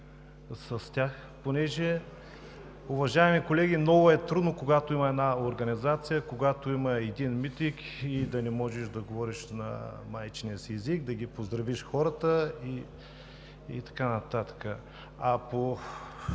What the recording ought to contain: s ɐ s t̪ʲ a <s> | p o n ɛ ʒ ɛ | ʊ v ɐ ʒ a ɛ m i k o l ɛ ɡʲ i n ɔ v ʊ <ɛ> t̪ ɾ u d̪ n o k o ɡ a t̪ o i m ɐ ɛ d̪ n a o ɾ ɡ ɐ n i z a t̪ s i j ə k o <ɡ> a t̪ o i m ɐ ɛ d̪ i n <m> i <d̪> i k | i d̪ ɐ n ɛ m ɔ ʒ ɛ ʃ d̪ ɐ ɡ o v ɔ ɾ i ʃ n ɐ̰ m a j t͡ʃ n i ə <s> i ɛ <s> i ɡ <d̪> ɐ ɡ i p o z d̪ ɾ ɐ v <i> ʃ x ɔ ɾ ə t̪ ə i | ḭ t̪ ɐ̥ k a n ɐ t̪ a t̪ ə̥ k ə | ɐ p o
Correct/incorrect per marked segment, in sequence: incorrect: x, correct, correct, correct, incorrect: t̪, correct, incorrect: z, correct, correct

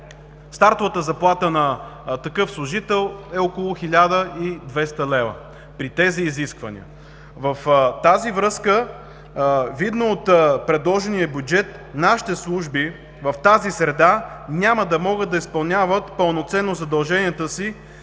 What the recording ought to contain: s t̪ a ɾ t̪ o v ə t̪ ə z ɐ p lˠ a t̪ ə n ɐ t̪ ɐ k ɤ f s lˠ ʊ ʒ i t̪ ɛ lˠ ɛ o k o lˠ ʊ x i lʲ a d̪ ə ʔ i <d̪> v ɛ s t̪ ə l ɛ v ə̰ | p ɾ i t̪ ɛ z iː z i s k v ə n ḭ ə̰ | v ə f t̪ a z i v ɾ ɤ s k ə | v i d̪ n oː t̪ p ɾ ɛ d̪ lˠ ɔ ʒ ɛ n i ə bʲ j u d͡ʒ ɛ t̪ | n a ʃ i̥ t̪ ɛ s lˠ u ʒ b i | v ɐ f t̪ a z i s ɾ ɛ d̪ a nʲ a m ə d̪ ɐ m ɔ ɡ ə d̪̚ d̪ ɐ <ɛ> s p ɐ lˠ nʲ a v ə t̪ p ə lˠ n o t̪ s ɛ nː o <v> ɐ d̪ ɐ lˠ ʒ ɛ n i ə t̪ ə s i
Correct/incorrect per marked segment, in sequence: correct, incorrect: i, incorrect: z

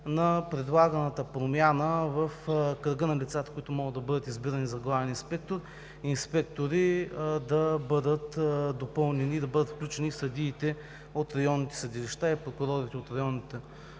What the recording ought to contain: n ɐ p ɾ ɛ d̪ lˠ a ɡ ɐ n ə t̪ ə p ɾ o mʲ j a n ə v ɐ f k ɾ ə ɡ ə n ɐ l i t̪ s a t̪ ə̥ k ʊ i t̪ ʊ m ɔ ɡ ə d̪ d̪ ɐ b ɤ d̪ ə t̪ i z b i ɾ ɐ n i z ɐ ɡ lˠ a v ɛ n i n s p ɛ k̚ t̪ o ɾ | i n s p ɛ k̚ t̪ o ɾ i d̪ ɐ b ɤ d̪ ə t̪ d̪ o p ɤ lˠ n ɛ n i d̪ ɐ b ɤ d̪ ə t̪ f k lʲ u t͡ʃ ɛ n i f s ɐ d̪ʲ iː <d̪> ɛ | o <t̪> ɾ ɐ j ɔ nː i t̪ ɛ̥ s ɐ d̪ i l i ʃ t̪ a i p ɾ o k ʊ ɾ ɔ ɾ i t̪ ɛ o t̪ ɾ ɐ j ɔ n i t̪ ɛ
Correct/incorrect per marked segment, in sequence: incorrect: t̪, correct

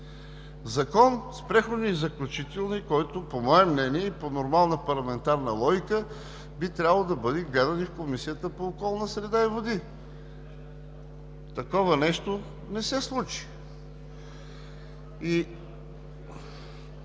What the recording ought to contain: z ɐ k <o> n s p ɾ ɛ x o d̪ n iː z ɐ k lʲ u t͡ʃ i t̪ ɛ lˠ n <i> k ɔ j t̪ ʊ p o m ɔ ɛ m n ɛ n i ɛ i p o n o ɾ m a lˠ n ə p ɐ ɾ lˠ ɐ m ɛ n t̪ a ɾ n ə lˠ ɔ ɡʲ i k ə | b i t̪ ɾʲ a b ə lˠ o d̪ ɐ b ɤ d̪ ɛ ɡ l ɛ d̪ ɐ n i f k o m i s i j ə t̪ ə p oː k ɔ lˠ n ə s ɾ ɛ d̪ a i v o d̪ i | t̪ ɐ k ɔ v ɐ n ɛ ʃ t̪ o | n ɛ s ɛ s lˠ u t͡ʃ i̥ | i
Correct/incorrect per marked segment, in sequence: incorrect: ɔ, correct

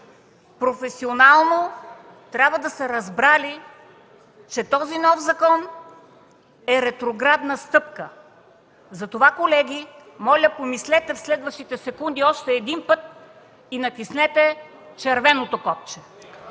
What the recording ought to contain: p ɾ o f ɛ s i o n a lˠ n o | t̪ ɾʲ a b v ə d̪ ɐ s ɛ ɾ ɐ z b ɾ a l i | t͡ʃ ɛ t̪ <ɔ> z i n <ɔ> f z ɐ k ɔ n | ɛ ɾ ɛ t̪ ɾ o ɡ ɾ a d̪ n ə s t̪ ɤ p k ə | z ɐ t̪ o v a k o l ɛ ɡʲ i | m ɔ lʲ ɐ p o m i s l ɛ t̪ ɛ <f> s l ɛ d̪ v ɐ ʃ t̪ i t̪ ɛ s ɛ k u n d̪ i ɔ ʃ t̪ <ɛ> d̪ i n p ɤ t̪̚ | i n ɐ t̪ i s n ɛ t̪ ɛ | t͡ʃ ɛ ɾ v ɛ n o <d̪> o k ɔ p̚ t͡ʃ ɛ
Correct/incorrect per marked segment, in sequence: correct, correct, correct, incorrect: ɛː, incorrect: t̪

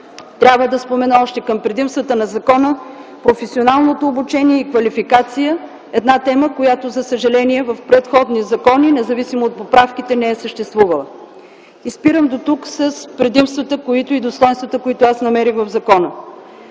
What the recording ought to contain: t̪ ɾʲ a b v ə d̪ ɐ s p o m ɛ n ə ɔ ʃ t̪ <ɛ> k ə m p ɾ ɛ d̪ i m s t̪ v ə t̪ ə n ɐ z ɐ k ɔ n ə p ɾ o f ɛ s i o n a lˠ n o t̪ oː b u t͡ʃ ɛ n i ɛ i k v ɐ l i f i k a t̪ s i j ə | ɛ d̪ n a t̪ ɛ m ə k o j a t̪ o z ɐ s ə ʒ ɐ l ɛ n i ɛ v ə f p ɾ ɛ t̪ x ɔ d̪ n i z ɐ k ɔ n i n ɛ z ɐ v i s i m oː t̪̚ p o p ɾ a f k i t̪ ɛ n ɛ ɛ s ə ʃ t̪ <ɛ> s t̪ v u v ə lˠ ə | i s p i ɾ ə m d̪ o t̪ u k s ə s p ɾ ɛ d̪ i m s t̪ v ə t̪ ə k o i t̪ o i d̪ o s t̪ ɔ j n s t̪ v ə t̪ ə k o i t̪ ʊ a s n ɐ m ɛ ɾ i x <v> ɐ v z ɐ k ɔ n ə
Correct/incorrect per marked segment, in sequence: correct, correct, correct

